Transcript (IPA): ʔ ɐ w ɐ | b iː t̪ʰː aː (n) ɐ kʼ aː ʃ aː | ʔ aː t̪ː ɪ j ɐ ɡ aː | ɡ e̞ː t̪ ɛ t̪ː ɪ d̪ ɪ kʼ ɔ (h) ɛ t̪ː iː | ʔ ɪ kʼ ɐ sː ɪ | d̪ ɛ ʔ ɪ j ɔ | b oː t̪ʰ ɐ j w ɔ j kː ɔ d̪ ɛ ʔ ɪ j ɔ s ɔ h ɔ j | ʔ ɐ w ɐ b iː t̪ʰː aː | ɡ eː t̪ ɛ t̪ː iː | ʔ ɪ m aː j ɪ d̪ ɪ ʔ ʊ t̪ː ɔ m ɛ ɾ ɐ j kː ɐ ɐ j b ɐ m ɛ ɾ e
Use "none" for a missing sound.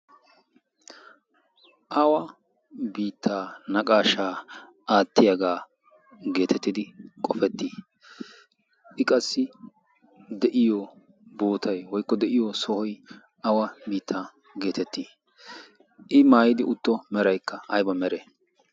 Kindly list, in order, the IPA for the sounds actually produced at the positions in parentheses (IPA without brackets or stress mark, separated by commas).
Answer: n, f